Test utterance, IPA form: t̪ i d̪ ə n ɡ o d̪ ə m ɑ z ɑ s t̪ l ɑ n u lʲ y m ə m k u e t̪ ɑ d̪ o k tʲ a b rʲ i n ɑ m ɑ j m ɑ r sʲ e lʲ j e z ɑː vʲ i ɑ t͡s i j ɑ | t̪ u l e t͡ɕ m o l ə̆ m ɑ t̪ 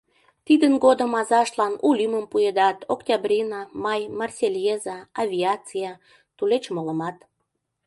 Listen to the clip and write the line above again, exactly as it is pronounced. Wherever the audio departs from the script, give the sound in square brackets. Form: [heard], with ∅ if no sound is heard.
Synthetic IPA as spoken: t̪ i d̪ ə n ɡ o d̪ ə m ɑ z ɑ [ʃ] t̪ l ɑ n u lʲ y m ə m [p] u e [d̪] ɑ [t̪] o k tʲ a b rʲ i n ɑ m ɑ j m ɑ r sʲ e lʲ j e z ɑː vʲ i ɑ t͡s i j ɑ | t̪ u l e t͡ɕ m o l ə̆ m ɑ t̪

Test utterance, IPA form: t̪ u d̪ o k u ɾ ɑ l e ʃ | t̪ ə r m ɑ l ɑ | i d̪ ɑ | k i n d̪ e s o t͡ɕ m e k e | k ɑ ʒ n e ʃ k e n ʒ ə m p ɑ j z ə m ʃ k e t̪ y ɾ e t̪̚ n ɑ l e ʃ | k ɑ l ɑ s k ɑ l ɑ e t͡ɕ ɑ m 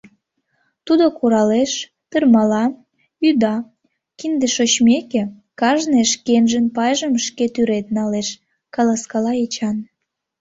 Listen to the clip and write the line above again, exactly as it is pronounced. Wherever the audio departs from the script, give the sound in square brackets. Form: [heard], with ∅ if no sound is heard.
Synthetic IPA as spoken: t̪ u d̪ o k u ɾ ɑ l e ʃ | t̪ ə r m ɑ l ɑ | [y] d̪ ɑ | k i n d̪ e [ʃ] o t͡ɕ m e k e | k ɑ ʒ n e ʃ k e n ʒ ə [n] p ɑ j [ʒ] ə m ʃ k e t̪ y ɾ e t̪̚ n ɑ l e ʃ | k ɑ l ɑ s k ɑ l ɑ e t͡ɕ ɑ [n]

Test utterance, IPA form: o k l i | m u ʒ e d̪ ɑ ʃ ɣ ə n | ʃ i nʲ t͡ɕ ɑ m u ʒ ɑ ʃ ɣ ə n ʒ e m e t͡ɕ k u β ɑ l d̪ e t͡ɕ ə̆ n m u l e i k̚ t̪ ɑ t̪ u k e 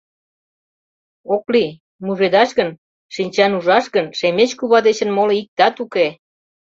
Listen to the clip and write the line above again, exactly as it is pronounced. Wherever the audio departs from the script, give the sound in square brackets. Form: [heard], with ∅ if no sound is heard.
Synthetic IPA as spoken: o k l i | m u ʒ e d̪ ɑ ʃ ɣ ə n | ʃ i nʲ t͡ɕ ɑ [n] u ʒ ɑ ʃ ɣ ə n [ʃ] e m e t͡ɕ k u β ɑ [∅] d̪ e t͡ɕ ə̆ n m [o] l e i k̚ t̪ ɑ t̪ u k e

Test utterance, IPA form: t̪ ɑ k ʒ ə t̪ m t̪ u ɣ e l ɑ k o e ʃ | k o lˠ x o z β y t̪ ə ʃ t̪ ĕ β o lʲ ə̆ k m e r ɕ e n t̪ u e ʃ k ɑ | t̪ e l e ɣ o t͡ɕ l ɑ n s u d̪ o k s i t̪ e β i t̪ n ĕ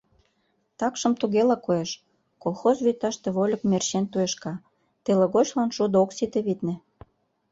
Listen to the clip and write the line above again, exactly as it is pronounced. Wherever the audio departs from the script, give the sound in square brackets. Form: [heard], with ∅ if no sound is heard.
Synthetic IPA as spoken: t̪ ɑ k [ʃ] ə [∅] m t̪ u ɣ e l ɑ k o e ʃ | k o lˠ x o z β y t̪ [ɑ] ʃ t̪ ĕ β o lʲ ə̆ k m e r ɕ e n t̪ u e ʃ k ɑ | t̪ e l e ɣ o t͡ɕ l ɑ n [ʃ] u d̪ o k s i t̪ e β i t̪ n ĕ

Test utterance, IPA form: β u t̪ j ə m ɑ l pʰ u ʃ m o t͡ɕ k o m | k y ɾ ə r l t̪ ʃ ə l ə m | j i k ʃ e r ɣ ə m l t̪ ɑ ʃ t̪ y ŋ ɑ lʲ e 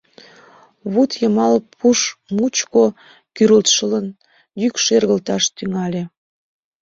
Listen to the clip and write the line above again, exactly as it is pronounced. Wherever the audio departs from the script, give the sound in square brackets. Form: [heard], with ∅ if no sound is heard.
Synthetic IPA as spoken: β u t̪ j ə m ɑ l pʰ u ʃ m [u] t͡ɕ k o [∅] | k y ɾ ə [∅] l t̪ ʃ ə l ə [n] | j [y] k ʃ e r ɣ ə [∅] l t̪ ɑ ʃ t̪ y ŋ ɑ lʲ e

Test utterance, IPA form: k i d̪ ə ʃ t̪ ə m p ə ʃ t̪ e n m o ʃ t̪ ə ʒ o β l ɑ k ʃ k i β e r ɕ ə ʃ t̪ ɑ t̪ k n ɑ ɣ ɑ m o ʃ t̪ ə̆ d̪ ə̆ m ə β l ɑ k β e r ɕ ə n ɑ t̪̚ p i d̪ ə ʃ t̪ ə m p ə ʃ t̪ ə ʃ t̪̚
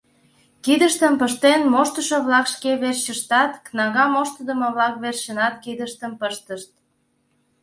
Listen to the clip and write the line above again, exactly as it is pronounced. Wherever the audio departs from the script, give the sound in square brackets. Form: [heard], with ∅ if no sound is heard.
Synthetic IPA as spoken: k i d̪ ə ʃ t̪ ə m p ə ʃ t̪ e n m o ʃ t̪ ə [ʃ] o β l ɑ k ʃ k [e] β e r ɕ ə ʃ t̪ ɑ t̪ k n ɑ ɣ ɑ m o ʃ t̪ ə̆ d̪ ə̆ m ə β l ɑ k β e r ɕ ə n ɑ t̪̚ [k] i d̪ ə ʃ t̪ ə m p ə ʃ t̪ ə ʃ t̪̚

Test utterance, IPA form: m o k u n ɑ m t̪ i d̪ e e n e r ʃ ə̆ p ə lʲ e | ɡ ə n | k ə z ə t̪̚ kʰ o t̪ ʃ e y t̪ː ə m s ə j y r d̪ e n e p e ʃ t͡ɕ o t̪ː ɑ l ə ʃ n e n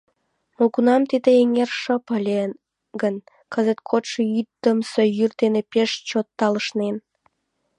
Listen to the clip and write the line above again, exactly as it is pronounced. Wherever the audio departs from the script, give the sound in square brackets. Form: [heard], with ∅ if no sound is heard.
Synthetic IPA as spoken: m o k u n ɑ m t̪ i d̪ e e [ŋ] e r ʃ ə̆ p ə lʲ e | ɡ ə n | k ə z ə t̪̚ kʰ o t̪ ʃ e y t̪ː ə m s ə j y r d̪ e n e p e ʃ t͡ɕ o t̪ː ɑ l ə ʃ n e n

